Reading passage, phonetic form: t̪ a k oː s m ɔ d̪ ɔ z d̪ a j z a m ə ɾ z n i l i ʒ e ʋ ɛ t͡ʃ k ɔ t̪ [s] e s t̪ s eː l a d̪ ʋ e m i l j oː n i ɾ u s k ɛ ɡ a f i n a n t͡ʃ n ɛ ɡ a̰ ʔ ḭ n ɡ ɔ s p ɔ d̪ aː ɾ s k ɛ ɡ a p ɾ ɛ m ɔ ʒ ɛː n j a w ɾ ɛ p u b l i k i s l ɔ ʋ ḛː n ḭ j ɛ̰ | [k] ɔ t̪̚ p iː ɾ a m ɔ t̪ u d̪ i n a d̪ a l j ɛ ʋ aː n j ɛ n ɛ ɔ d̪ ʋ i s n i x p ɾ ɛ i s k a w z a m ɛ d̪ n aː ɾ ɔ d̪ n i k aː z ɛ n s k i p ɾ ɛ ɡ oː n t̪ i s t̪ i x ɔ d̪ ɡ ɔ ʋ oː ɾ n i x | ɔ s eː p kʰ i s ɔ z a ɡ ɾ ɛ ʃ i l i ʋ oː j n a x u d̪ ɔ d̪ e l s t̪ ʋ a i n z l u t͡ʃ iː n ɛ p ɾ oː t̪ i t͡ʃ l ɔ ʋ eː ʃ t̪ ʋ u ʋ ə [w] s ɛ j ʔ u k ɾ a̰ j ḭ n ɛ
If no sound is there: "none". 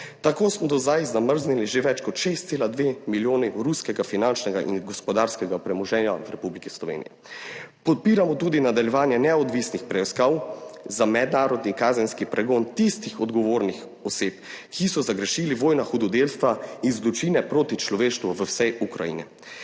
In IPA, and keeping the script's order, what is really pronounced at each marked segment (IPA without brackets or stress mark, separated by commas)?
ʃ, p, w